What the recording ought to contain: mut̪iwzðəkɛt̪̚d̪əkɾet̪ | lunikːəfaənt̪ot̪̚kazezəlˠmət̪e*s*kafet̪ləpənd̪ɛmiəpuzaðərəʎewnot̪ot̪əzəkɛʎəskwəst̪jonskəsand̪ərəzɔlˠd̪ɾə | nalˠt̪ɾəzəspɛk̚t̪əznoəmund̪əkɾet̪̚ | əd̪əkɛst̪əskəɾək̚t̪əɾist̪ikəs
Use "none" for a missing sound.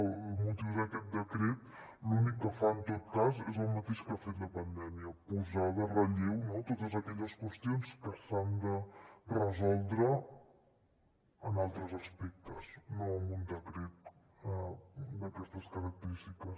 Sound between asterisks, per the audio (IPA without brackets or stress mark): ʃ